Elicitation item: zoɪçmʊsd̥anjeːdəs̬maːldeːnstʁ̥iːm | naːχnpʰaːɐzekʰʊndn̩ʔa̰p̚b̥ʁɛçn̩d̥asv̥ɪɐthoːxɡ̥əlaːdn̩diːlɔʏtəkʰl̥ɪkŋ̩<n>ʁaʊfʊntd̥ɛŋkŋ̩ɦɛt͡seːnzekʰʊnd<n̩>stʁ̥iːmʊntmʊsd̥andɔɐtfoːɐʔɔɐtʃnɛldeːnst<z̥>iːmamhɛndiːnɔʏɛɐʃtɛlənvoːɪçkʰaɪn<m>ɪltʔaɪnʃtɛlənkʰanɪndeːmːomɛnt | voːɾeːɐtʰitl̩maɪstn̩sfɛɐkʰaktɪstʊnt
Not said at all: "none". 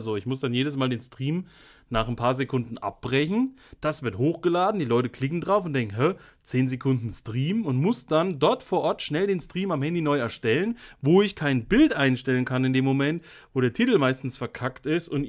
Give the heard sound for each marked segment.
d, n̩, ʁ̥, b

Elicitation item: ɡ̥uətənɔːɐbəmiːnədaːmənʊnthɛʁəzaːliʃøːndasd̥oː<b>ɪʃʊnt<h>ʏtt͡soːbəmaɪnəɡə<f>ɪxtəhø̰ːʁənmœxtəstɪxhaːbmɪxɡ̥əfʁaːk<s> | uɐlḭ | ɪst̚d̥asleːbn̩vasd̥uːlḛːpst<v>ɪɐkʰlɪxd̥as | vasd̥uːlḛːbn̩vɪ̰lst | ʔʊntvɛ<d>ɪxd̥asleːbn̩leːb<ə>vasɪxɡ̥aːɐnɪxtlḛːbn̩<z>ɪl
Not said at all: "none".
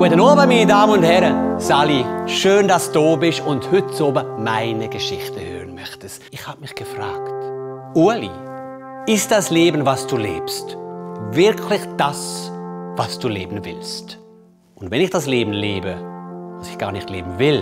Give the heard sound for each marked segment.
b, h, ʃ, t, v, n, ə, v

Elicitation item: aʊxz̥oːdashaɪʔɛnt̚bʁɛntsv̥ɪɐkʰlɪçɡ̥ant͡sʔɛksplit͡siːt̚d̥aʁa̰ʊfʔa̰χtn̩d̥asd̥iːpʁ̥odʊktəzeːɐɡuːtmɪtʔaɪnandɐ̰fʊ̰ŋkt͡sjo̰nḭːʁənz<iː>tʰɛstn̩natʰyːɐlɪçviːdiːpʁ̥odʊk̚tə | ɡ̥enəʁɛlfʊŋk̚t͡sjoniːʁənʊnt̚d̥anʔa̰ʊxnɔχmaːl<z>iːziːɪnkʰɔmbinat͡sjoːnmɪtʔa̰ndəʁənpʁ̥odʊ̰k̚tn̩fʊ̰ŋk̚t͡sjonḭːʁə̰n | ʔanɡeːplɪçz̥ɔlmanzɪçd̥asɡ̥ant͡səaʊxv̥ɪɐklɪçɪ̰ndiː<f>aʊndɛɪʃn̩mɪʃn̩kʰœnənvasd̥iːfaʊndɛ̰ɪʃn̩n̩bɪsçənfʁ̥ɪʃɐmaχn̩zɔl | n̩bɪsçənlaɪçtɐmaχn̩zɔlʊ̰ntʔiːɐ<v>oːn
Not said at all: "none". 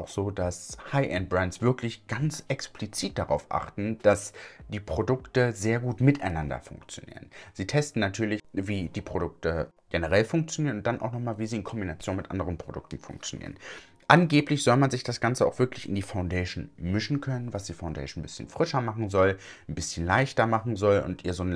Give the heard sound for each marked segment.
iː, v, f, z

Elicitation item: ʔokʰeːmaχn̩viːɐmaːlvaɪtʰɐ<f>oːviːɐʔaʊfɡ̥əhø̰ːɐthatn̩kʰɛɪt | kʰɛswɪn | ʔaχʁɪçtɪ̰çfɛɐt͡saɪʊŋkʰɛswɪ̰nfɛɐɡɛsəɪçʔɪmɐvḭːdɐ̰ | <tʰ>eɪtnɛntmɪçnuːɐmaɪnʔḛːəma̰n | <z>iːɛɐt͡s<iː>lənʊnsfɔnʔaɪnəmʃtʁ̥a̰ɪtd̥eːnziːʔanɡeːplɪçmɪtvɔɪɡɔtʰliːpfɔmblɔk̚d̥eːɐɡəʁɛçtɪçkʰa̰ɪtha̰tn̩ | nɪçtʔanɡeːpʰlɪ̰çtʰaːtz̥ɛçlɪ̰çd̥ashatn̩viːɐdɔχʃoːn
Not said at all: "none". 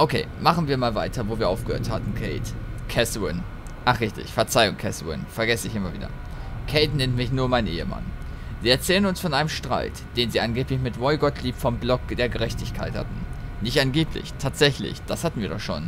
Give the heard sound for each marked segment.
v, kʰ, z, ɛː

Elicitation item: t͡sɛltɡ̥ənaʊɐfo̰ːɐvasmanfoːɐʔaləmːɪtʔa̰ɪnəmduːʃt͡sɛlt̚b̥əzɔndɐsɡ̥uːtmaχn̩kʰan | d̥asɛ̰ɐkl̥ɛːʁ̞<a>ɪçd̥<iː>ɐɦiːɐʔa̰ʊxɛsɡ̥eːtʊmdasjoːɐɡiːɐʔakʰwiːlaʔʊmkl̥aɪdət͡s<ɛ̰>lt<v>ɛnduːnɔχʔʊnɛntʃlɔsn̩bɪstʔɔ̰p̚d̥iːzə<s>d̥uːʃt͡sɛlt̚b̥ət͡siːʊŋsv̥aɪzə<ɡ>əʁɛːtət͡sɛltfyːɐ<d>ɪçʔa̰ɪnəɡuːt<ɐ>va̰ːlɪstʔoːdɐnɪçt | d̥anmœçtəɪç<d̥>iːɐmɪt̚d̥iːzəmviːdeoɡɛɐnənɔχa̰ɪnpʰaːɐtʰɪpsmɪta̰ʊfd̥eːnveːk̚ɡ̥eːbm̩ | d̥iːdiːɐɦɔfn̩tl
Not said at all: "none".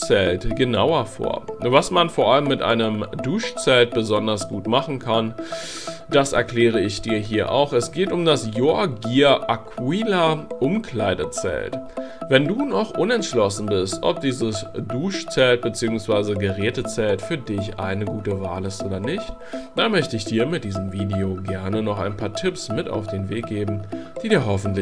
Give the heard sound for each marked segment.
ə, iː, ɛ̰, v, s, ɡ, d, ə, d̥

